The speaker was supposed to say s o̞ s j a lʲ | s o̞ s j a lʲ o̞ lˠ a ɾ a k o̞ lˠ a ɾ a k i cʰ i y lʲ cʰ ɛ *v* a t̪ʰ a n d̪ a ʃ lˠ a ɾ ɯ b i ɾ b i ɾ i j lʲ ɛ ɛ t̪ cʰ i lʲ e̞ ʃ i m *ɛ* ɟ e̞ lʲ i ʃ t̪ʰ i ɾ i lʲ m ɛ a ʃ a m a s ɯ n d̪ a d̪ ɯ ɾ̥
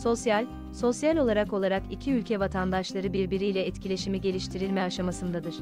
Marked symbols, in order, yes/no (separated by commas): yes, no